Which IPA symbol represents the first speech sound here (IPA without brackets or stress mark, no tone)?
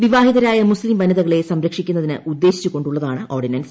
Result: ʋ